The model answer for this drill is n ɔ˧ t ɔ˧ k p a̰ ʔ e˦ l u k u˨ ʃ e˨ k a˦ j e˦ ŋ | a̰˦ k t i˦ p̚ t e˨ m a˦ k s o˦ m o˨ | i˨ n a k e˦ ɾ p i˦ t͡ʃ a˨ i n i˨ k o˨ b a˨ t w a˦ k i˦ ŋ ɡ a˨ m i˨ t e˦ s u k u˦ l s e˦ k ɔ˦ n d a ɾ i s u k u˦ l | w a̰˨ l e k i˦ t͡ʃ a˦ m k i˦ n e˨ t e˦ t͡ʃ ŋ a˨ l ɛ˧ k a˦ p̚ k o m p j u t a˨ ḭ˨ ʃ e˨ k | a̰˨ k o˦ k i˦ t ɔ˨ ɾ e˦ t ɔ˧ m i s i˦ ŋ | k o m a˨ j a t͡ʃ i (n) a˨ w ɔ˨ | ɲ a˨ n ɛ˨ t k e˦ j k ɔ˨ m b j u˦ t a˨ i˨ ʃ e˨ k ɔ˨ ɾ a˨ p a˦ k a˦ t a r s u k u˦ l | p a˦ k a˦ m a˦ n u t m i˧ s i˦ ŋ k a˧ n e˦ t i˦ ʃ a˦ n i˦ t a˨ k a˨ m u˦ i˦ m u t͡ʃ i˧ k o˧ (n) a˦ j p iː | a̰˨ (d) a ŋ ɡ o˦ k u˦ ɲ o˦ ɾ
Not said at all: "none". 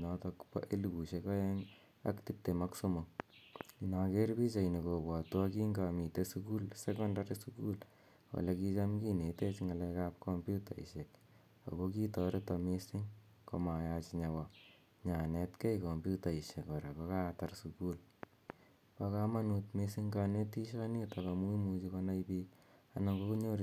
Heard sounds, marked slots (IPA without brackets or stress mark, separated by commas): ɲ, n, n